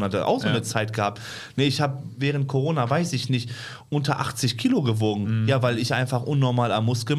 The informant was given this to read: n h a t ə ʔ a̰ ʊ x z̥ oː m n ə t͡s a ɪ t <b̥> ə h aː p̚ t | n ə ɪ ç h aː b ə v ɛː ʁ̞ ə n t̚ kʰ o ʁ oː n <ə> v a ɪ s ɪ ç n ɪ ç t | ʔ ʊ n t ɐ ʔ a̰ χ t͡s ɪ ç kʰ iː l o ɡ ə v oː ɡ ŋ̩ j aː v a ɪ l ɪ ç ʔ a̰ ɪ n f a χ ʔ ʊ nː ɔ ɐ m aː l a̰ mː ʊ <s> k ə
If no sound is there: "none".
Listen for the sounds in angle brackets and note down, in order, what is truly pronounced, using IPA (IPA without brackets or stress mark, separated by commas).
ɡ̥, a, s